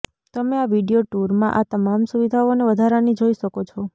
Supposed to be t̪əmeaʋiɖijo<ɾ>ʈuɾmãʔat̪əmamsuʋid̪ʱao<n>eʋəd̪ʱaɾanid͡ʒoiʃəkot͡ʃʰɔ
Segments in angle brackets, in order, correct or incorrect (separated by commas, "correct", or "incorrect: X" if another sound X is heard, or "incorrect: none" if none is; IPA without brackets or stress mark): incorrect: none, correct